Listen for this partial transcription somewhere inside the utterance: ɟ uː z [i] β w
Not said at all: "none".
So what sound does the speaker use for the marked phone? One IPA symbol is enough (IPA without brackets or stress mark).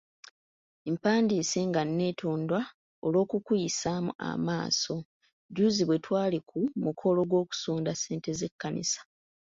i